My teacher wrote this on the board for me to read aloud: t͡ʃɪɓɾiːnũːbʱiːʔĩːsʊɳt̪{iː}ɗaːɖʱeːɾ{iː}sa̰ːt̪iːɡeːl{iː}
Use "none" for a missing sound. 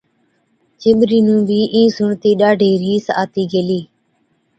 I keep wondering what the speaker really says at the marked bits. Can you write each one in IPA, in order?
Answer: iː, iː, iː

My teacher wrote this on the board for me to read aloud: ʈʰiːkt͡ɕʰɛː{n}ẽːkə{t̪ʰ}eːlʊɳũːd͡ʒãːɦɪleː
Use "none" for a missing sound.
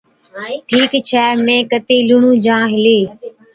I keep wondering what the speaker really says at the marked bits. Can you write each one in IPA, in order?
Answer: m, t̪

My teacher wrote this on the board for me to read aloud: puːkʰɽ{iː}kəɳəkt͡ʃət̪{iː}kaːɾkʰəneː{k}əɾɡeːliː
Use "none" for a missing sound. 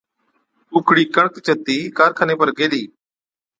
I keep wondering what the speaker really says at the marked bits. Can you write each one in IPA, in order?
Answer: iː, iː, p

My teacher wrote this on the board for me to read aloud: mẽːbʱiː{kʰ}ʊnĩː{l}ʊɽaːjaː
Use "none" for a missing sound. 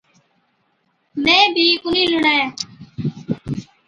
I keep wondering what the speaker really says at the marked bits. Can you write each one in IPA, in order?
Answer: k, l

